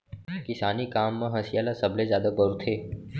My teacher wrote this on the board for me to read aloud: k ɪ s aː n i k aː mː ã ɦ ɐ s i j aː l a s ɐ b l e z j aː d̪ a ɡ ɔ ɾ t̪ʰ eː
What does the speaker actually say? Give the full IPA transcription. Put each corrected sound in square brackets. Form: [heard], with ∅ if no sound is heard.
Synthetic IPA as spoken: k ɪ s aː n i k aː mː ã ɦ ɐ s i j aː l a s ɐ b l e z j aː d̪ a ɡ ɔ ɾ t̪ʰ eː